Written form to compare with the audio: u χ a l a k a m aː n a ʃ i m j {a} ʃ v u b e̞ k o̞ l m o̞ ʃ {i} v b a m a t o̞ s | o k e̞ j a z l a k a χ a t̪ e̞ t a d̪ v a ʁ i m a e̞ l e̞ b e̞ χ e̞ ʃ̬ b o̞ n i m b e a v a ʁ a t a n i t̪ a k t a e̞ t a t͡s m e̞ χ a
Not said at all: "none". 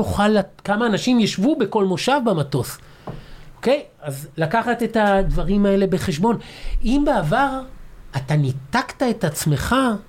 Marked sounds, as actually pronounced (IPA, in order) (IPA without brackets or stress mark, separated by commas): a, a